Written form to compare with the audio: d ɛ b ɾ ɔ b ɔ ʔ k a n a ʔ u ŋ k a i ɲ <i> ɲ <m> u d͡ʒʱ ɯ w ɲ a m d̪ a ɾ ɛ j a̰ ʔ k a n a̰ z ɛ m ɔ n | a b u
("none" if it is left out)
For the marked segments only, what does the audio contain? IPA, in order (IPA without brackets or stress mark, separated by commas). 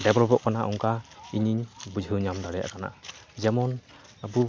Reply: i, b